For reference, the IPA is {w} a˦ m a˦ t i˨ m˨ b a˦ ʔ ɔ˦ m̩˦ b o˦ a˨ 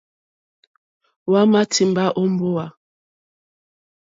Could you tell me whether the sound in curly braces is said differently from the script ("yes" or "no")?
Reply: no